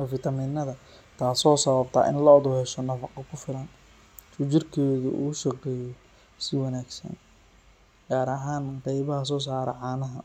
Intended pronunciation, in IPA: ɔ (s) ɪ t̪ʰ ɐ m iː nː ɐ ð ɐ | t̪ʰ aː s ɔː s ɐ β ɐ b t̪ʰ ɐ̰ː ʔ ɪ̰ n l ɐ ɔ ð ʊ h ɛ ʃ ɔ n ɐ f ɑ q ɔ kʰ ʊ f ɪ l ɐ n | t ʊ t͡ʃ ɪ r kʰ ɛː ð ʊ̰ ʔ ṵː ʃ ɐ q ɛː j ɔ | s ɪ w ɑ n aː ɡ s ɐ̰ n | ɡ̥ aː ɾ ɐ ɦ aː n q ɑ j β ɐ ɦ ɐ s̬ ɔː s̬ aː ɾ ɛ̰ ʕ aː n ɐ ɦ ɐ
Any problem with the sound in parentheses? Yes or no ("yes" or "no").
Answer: yes